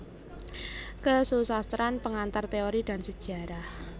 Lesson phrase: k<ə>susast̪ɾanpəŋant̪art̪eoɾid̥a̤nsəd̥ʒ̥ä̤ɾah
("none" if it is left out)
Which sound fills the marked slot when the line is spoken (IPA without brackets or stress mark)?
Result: ə